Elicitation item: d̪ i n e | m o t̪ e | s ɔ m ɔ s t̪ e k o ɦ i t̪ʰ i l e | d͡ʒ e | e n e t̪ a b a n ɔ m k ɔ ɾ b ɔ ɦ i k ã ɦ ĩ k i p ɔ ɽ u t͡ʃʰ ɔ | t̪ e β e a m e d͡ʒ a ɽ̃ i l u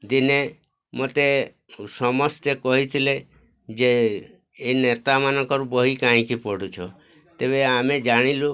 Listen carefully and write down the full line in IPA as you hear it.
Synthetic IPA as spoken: d̪ i n e | m o t̪ e | s ɔ m ɔ s t̪ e k ɔ ɦ i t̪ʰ i l e | d͡ʒ e | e n e t̪ a m a n ɔ ŋ k ɔ ɾ b ɔ ɦ i k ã ɦ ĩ k i p ɔ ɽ u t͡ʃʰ ɔ | t̪ e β e a m e d͡ʒ a ɽ̃ i l u

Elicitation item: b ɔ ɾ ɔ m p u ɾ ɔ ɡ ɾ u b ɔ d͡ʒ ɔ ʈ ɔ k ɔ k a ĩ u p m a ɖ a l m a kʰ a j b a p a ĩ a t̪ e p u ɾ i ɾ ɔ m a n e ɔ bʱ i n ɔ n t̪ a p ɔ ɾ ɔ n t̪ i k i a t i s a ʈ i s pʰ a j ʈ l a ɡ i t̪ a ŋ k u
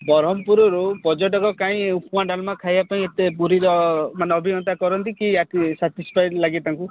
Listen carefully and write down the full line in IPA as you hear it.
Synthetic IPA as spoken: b ɔ ɾ ɔ m p u ɾ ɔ ɾ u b ɔ d͡ʒ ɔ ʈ ɔ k ɔ k a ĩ u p m a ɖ a l m a kʰ a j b a p a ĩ e t̪ e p u ɾ i ɾ ɔ m a n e ɔ bʱ i n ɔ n t̪ a k ɔ ɾ ɔ n t̪ i k i a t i s a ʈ i s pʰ a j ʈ l a ɡ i t̪ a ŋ k u

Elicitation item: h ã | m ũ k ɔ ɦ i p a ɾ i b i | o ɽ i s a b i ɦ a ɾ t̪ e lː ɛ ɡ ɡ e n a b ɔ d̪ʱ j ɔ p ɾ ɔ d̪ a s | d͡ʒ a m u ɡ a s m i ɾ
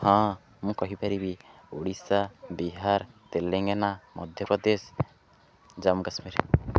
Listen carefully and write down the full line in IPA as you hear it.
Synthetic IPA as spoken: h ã | m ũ k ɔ ɦ i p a ɾ i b i | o ɽ i s a b i ɦ a ɾ t̪ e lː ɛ ŋ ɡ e n a m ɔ d̪ʱ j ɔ p ɾ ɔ d̪ e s | d͡ʒ a m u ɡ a s m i ɾ

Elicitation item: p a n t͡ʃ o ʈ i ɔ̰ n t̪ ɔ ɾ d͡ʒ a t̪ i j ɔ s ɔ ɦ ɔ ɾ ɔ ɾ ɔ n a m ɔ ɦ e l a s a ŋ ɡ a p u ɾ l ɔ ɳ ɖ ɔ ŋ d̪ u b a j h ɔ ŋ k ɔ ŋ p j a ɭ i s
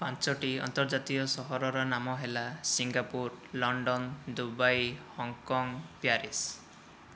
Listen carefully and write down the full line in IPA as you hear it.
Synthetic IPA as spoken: p a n t͡ʃ ɔ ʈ i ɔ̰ n t̪ ɔ ɾ d͡ʒ a t̪ i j ɔ s ɔ ɦ ɔ ɾ ɔ ɾ ɔ n a m ɔ ɦ e l a s i ŋ ɡ a p u ɾ l ɔ ɳ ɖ ɔ n d̪ u b a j h ɔ ŋ k ɔ ŋ p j a ɾ i s

